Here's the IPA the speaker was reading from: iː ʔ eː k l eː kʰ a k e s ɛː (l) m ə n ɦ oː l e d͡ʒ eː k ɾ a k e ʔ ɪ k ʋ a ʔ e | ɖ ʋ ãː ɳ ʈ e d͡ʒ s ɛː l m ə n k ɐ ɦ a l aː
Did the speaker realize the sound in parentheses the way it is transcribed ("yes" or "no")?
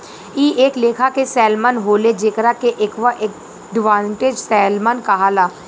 yes